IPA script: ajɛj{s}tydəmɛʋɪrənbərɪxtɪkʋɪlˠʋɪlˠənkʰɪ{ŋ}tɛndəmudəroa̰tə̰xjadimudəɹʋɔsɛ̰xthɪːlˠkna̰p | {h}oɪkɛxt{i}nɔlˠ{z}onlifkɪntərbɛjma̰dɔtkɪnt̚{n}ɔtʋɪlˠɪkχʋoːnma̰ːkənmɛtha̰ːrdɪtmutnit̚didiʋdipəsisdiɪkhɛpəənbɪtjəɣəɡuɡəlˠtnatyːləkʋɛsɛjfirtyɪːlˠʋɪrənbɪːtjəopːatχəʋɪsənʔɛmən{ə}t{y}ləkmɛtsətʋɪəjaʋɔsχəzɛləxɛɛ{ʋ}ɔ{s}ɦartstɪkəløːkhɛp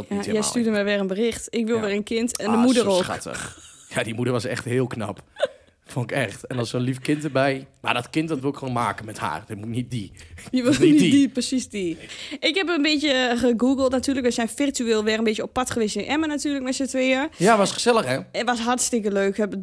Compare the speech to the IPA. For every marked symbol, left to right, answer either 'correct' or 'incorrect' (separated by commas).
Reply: correct, incorrect, incorrect, incorrect, incorrect, incorrect, incorrect, incorrect, correct, correct